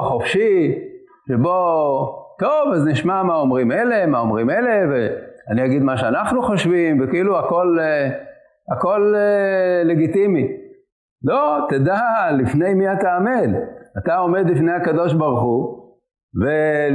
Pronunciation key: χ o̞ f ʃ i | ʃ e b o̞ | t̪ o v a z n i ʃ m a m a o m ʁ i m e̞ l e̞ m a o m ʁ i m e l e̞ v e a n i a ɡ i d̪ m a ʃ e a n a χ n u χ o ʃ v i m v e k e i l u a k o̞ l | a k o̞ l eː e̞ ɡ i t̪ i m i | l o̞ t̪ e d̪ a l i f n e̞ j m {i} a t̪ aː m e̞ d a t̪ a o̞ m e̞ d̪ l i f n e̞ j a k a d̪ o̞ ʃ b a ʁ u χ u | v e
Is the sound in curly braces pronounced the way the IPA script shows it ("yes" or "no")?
yes